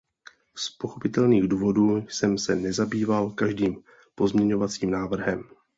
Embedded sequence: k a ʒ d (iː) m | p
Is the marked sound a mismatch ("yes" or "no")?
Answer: no